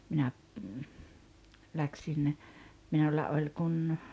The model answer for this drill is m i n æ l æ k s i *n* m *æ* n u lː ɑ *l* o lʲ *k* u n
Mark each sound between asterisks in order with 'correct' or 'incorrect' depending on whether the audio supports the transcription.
correct, incorrect: i, incorrect: none, correct

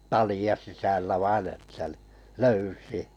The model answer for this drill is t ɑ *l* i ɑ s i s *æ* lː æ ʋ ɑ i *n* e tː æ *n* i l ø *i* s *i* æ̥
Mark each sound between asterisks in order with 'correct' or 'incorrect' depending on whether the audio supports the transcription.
correct, correct, correct, correct, incorrect: y, correct

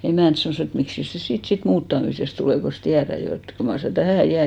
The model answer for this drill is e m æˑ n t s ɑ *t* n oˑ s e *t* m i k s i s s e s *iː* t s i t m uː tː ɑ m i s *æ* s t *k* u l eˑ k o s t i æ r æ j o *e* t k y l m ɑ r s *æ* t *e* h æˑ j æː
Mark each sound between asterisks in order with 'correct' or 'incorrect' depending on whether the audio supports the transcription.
incorrect: none, correct, correct, incorrect: e, incorrect: t, correct, correct, incorrect: æ

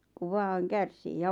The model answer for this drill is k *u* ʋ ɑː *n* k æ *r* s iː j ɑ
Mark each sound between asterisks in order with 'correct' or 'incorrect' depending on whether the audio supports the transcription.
correct, incorrect: ŋ, correct

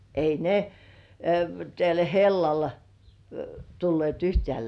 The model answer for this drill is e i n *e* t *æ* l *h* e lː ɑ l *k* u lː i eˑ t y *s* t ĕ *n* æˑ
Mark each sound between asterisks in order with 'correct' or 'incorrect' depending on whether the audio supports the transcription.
correct, correct, correct, incorrect: t, incorrect: h, incorrect: none

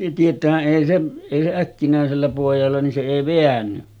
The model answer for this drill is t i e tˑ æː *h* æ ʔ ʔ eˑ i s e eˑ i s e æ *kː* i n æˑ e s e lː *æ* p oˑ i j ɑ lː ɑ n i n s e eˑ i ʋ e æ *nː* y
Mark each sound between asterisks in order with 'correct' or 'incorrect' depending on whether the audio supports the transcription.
correct, correct, correct, correct

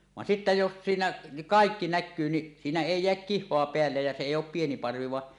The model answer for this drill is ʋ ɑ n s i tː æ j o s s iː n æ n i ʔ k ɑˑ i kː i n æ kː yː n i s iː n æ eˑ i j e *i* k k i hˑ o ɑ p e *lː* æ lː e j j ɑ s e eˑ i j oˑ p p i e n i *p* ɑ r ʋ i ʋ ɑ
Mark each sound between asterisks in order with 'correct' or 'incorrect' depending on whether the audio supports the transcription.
incorrect: æ, incorrect: none, correct

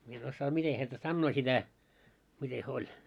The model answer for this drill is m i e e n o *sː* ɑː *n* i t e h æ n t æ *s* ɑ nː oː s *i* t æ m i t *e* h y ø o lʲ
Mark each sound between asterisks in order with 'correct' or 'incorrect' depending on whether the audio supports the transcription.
correct, incorrect: m, correct, correct, correct

